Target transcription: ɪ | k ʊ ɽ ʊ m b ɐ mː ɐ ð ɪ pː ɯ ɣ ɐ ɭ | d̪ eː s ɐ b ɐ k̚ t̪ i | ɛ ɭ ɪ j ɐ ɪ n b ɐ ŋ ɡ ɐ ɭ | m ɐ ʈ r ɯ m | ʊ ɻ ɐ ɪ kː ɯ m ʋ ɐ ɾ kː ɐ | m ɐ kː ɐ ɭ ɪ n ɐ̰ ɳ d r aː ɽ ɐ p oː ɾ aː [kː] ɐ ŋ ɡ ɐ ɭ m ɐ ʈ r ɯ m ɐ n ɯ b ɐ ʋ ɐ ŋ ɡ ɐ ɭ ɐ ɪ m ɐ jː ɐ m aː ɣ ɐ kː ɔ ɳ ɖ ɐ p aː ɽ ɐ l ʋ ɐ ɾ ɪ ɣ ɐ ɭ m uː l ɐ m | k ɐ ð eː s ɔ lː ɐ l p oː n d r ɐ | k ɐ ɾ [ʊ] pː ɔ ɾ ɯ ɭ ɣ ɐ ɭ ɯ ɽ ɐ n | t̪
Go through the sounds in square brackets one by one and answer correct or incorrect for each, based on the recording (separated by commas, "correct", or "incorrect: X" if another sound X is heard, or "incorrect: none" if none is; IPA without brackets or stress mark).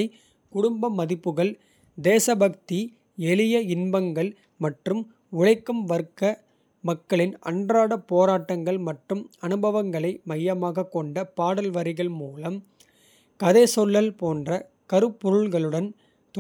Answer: incorrect: ʈː, incorrect: ɯ